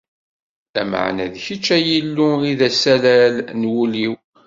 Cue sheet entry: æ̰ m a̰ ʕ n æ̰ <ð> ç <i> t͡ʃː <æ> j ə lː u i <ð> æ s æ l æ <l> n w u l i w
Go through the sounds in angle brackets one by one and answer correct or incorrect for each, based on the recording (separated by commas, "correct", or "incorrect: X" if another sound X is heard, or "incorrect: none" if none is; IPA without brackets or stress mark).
correct, correct, correct, correct, correct